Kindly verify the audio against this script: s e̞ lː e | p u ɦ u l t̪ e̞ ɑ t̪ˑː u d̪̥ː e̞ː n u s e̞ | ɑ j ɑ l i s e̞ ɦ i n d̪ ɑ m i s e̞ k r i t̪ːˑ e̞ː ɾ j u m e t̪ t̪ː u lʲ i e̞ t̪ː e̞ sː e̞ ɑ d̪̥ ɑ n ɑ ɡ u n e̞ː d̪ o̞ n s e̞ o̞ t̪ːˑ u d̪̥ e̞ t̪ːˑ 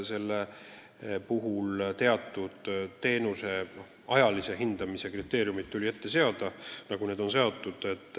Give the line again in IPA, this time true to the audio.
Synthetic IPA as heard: s e̞ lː e | p u ɦ u l t̪ e̞ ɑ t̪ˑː u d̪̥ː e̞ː n u s e̞ | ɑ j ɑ l i s e̞ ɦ i n d̪ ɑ m i s e̞ k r i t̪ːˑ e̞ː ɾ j u m i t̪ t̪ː u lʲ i e̞ t̪ː e̞ s e̞ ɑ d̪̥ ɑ n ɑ ɡ u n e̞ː d̪ o̞ n s e̞ o̞ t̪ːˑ u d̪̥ e̞ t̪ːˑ